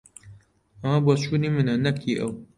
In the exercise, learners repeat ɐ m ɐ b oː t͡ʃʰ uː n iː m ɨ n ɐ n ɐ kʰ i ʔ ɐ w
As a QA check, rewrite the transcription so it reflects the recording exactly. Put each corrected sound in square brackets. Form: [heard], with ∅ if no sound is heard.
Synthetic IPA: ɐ m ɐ b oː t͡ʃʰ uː n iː m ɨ n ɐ n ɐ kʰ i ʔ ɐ w